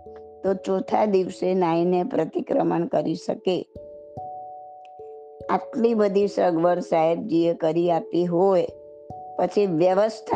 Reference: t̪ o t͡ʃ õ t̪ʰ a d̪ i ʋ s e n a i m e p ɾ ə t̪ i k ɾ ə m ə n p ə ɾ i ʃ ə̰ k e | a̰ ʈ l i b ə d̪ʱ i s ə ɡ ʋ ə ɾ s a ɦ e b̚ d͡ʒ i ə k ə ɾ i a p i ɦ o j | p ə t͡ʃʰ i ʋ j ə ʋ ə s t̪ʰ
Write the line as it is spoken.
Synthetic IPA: t̪ o t͡ʃ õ t̪ʰ a d̪ i ʋ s e n a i n e p ɾ ə t̪ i k ɾ ə m ə n k ə ɾ i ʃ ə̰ k e | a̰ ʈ l i b ə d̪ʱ i s ə ɡ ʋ ə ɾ s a ɦ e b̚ d͡ʒ i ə k ə ɾ i a p i ɦ o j | p ə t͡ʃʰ i ʋ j ə ʋ ə s t̪ʰ